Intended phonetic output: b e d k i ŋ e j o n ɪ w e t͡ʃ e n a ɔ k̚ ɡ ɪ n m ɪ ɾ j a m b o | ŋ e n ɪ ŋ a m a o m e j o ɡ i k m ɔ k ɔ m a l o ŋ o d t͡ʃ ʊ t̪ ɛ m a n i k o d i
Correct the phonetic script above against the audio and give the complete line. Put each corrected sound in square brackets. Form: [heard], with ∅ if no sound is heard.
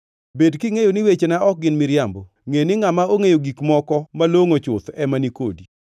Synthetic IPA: b e d k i ŋ e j o n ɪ w e t͡ʃ e n a ɔ k̚ ɡ ɪ n m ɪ ɾ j a m b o | ŋ e n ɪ ŋ a m a o [ŋ] e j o ɡ i k m ɔ k ɔ m a l o ŋ o [∅] t͡ʃ ʊ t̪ ɛ m a n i k o d i